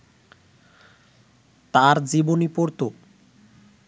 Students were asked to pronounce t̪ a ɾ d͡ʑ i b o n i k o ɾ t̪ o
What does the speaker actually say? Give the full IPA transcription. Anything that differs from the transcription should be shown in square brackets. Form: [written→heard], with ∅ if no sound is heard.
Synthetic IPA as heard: t̪ a ɾ d͡ʑ i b o n i [k→p] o ɾ t̪ o